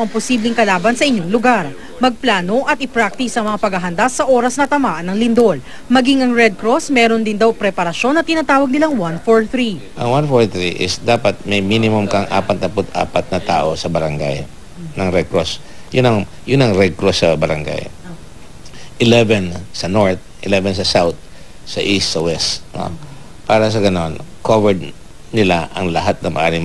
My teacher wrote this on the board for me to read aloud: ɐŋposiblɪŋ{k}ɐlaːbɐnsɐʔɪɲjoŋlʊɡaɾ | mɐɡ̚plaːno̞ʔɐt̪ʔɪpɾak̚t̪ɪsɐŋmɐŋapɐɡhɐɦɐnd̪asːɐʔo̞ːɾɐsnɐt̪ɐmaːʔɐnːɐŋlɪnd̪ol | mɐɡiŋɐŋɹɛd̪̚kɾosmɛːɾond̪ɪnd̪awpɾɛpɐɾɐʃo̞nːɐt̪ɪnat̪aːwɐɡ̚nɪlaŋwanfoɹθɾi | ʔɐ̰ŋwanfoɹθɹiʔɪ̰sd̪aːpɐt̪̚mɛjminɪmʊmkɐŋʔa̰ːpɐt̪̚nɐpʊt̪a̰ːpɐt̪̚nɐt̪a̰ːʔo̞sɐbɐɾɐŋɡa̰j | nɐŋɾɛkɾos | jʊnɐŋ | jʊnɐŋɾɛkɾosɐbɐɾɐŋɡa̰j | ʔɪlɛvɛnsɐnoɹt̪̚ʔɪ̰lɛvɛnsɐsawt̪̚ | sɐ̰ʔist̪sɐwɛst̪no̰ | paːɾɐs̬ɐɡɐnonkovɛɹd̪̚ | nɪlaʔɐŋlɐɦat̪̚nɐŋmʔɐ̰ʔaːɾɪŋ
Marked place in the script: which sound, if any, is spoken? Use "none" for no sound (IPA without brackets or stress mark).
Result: k